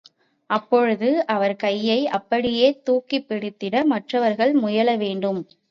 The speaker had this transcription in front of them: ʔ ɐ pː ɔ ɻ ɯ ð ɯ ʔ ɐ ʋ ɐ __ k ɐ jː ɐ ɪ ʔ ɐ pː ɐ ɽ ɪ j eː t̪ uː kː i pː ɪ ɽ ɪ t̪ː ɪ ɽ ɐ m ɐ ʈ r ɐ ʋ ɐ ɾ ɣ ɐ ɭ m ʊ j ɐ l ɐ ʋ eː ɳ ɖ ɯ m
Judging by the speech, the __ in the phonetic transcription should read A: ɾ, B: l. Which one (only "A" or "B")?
A